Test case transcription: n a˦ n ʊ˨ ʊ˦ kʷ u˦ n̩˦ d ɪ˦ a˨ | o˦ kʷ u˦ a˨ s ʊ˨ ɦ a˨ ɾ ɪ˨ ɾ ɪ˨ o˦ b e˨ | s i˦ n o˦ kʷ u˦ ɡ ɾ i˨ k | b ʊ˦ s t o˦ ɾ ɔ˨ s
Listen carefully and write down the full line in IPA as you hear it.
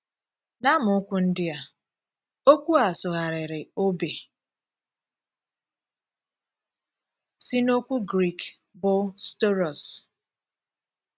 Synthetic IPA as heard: n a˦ m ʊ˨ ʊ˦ kʷ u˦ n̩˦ d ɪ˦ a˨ | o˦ kʷ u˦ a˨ s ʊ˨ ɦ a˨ ɾ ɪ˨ ɾ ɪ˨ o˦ b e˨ | s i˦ n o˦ kʷ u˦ ɡ ɾ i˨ k | b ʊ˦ s t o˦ ɾ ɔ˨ s